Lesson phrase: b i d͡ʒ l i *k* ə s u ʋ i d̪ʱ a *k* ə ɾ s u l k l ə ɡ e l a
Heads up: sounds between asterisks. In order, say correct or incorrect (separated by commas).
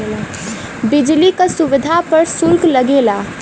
correct, incorrect